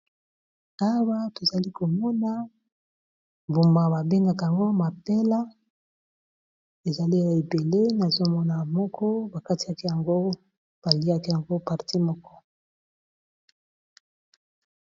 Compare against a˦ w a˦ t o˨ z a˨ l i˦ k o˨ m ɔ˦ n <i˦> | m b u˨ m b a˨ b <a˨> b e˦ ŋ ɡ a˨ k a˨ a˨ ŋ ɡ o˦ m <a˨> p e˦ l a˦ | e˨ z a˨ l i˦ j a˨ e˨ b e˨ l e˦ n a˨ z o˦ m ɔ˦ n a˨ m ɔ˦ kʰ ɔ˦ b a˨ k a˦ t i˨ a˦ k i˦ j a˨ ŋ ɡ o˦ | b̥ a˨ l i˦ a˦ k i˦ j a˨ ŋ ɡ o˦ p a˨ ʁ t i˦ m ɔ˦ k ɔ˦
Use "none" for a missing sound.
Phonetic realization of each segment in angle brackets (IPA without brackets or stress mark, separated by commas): a˦, a˨, a˨